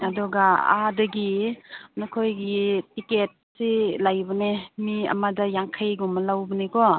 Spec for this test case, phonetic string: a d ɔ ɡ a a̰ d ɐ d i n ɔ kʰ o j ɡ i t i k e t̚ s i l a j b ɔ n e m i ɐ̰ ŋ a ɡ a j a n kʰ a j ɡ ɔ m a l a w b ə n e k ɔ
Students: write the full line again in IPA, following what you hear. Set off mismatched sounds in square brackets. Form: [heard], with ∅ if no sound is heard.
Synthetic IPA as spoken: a d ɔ ɡ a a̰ d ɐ [ɡ] i n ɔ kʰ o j ɡ i t i k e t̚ s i l a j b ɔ n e m i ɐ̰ [m] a [d] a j a [ŋ] kʰ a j ɡ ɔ m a l a w b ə n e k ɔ

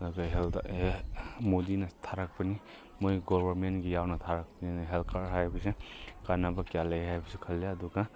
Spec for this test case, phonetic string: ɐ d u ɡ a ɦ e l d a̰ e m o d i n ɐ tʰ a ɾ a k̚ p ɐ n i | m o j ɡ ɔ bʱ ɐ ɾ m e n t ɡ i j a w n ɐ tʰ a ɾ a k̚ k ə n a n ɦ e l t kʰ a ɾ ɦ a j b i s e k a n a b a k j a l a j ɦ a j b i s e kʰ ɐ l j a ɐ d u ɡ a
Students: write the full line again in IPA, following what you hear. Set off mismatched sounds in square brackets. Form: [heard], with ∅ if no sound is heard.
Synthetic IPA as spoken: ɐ d u ɡ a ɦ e l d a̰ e m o d i n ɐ tʰ a ɾ a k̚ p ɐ n i | m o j ɡ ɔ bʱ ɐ ɾ m e n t ɡ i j a w n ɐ tʰ a ɾ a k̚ [p] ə n [i] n ɦ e l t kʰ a ɾ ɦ a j b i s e k a n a b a k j a l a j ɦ a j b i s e kʰ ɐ l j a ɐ d u ɡ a

